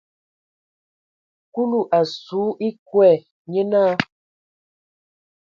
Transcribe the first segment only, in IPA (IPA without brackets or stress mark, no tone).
k